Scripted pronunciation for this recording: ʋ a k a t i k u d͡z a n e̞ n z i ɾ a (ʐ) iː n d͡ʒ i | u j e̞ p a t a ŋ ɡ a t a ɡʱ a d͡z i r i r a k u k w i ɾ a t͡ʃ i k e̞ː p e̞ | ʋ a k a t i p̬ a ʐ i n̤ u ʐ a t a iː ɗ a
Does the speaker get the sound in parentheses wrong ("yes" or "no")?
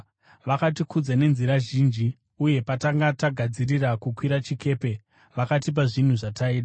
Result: yes